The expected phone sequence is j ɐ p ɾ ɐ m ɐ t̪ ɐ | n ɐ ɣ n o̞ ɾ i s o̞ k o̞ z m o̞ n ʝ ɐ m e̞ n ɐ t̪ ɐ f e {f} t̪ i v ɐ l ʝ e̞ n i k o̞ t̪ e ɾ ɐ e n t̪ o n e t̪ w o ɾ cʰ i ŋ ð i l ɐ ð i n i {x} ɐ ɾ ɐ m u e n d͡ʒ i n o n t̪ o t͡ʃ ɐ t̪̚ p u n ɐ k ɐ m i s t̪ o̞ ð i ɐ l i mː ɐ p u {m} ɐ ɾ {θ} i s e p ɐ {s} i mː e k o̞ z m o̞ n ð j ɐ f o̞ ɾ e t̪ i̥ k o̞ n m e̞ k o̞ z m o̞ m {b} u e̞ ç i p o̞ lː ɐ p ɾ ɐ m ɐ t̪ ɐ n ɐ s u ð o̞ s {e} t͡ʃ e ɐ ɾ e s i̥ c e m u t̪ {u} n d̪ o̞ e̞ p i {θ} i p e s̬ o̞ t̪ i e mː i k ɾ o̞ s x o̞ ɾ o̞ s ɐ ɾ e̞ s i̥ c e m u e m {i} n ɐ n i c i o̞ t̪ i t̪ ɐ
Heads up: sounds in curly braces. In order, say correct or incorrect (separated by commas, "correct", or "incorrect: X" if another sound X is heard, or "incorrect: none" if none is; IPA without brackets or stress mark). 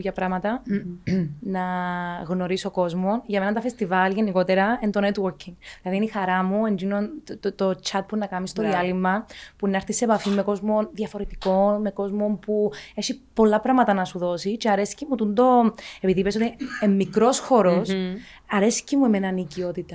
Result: incorrect: s, correct, incorrect: n, correct, incorrect: f, incorrect: p, incorrect: i, correct, incorrect: ð, incorrect: e